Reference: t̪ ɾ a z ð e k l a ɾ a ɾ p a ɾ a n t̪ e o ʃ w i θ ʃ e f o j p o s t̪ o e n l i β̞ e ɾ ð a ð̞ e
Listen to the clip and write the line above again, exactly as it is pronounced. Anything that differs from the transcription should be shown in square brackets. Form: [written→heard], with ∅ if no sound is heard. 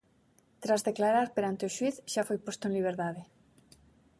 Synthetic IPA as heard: t̪ ɾ a z ð e k l a ɾ a ɾ p [a→e] ɾ a n t̪ e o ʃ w i θ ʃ [e→a] f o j p o s t̪ o e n l i β̞ e ɾ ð a ð̞ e